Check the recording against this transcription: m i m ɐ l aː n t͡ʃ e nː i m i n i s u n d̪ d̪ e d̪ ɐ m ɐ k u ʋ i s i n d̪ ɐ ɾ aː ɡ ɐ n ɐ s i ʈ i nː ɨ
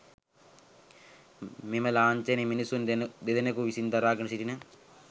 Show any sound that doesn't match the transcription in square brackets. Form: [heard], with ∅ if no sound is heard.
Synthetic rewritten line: m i m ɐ l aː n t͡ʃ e [n] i m i n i s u n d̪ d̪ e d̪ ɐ [n] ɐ k u ʋ i s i n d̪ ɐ ɾ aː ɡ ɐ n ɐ s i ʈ i [n] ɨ